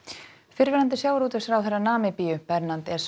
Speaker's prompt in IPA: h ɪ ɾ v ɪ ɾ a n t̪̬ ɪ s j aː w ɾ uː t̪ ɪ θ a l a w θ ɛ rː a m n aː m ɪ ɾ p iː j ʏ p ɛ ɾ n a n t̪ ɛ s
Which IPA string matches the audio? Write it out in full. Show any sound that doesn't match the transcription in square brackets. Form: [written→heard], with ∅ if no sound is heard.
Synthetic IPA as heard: [h→f] ɪ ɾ v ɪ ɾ a n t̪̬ ɪ s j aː w ɾ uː t̪ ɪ [θ→s] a [l→ɾ] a w θ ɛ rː a [m→∅] n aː m ɪ [ɾ→∅] p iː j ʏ p ɛ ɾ n a n t̪ ɛ s